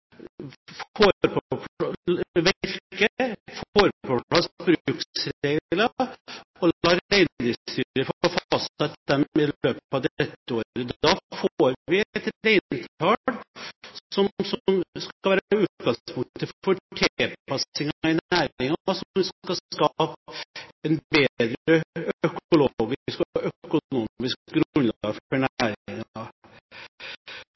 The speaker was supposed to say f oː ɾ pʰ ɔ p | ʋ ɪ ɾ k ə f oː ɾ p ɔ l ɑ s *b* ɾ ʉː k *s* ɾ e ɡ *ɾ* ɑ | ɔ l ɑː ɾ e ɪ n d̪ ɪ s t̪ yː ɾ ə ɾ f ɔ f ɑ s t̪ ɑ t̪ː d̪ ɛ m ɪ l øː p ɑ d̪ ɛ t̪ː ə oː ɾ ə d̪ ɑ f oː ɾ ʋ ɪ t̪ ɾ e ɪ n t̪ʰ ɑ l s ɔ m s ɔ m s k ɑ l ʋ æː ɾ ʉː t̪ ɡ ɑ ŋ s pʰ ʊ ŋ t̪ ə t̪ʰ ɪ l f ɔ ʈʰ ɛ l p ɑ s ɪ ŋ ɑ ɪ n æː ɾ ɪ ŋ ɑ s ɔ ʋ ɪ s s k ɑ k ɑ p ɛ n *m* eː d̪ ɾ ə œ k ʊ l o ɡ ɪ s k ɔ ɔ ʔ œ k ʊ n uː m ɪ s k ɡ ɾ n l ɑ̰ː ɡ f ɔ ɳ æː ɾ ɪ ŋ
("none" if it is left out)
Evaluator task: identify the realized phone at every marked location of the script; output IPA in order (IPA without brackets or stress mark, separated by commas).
b, s, l, b